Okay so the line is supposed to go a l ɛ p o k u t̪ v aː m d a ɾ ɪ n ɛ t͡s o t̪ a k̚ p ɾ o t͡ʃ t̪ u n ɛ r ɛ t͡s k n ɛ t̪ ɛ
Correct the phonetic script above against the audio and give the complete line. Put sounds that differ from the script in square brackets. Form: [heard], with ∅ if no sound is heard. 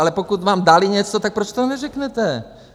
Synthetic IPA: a l ɛ p o k u t̪ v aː m d a [l] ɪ [ɲ] ɛ t͡s o t̪ a k̚ p ɾ o t͡ʃ t̪ [o] n ɛ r ɛ [∅] k n ɛ t̪ ɛ